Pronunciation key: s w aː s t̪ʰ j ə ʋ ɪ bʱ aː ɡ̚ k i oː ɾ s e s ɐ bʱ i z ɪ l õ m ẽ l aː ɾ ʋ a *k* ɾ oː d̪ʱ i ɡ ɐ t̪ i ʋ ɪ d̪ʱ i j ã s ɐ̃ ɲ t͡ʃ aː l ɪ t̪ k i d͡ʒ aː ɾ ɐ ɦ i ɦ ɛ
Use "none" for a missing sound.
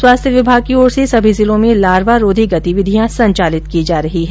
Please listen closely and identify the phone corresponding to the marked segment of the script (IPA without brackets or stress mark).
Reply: none